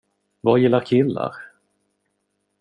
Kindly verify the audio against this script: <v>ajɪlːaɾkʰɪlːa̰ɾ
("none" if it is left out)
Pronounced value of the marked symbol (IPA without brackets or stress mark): v